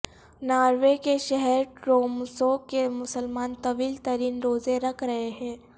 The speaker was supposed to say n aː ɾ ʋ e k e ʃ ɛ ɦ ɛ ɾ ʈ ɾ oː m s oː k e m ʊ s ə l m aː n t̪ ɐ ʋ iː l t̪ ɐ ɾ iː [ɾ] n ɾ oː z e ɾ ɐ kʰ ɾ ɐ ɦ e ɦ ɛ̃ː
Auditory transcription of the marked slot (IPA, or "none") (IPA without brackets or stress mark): none